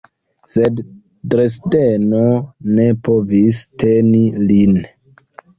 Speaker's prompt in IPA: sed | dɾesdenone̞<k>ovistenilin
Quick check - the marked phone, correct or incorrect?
incorrect